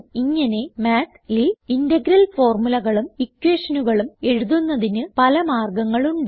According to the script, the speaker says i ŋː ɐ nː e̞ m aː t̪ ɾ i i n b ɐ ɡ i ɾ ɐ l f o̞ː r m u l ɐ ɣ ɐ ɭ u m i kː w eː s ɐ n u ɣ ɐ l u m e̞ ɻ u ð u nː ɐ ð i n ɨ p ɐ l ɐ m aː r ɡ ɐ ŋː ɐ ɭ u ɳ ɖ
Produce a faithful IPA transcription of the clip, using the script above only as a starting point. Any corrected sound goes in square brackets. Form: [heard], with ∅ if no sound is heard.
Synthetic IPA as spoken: i ŋː ɐ [n] e̞ m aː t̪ [l] i i n [d] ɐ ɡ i ɾ ɐ l f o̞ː r m u l ɐ ɣ ɐ ɭ u m i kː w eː [ʂ] ɐ n u ɣ ɐ [ɭ] u m e̞ ɻ u ð u nː ɐ ð i n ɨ p ɐ l ɐ m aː r ɡ ɐ ŋː ɐ ɭ u ɳ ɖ